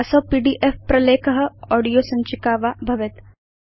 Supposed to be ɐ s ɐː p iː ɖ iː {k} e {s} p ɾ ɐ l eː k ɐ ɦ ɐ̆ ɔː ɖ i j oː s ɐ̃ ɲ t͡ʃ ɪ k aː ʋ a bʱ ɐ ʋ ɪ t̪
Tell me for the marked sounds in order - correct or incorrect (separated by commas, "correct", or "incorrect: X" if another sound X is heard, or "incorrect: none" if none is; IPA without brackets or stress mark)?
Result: incorrect: ʔ, incorrect: f